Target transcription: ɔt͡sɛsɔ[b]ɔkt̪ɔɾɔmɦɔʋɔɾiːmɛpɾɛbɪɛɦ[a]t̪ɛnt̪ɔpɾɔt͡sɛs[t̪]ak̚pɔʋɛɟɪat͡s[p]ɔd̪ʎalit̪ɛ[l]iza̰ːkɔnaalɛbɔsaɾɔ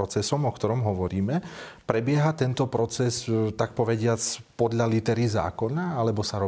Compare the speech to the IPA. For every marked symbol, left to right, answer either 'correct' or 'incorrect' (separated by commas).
incorrect, correct, correct, correct, incorrect